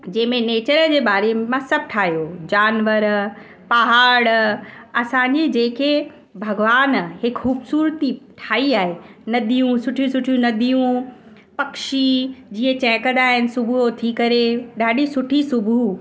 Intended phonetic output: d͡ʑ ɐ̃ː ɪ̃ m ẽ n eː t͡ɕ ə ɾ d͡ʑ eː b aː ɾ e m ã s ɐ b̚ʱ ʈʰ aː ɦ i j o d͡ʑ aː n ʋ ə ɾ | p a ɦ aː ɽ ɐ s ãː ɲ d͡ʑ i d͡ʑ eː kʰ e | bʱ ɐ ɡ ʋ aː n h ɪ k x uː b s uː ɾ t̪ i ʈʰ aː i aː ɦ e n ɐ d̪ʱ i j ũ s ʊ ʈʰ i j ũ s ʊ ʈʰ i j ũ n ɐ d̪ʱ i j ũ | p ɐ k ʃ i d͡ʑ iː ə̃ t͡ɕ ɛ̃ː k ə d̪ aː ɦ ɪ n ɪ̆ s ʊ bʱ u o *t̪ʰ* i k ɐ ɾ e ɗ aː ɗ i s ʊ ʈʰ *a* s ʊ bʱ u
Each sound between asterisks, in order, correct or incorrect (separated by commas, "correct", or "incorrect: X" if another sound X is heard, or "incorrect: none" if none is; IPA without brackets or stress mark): correct, incorrect: i